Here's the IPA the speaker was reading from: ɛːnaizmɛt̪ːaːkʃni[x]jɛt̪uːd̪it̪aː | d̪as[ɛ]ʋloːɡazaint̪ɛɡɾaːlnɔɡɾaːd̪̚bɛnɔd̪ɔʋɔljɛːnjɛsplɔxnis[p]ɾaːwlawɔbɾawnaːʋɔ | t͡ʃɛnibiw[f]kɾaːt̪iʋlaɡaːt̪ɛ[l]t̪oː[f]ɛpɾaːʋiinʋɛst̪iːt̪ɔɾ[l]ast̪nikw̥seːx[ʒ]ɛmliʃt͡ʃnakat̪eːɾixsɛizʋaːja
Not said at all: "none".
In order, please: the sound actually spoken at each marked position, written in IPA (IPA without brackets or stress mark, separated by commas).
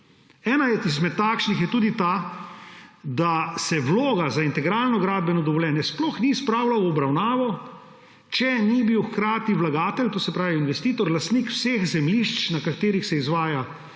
x, ɛ, p, x, l, s, l, z